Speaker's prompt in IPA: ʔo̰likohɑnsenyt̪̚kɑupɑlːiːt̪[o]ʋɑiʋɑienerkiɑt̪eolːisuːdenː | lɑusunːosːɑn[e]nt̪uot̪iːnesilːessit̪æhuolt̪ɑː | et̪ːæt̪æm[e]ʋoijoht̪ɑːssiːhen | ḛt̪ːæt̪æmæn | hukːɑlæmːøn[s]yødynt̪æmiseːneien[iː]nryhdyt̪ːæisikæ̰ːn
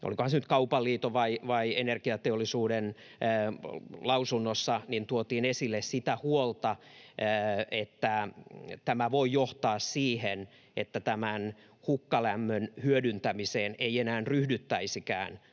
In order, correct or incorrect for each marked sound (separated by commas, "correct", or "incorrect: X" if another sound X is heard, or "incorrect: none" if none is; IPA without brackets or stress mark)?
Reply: correct, incorrect: i, incorrect: æ, incorrect: h, incorrect: æː